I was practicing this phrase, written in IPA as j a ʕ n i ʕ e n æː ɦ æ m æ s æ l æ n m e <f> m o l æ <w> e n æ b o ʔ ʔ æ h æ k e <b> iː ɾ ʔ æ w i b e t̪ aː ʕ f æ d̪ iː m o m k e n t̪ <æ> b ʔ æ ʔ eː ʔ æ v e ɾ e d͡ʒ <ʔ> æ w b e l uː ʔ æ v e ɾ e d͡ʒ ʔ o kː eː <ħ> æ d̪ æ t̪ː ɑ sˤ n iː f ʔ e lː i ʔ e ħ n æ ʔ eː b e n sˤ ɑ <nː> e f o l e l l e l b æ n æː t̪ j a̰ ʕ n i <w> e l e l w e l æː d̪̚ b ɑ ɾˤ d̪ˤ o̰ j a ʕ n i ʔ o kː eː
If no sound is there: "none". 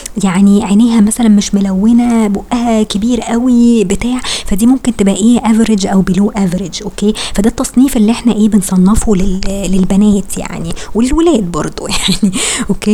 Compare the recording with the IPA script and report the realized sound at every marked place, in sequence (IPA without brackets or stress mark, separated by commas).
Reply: ʃ, wː, b, e, ʔ, f, nː, w